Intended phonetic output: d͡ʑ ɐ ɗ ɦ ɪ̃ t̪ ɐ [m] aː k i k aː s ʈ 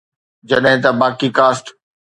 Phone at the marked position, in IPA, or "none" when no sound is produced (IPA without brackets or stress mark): b